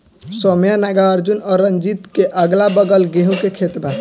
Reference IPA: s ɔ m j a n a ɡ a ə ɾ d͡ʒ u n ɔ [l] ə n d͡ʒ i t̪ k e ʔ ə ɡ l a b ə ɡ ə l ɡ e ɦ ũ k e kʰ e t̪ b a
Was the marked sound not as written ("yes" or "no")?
yes